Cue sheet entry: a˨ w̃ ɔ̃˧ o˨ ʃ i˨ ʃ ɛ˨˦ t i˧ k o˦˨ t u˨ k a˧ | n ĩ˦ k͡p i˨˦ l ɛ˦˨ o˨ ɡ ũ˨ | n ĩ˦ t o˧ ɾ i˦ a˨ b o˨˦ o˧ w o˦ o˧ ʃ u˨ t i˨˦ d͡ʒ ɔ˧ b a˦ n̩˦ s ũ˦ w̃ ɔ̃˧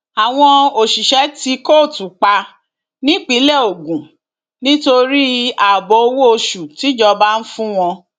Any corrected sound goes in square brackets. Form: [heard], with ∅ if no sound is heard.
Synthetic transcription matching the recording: a˨ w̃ ɔ̃˧ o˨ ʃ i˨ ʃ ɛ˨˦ t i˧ k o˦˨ t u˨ [k͡p] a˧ | n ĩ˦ k͡p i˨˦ l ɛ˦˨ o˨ ɡ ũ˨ | n ĩ˦ t o˧ ɾ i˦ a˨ b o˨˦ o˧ w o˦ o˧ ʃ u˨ t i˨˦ d͡ʒ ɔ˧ b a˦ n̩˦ [f] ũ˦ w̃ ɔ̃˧